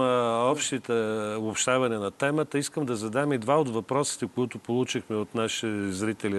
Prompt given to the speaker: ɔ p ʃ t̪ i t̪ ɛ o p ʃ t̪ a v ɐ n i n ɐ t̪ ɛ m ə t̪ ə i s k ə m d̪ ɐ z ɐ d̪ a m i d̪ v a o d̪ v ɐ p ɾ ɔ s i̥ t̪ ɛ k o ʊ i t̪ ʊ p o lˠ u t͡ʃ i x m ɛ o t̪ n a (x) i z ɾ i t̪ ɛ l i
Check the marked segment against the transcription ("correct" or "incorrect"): incorrect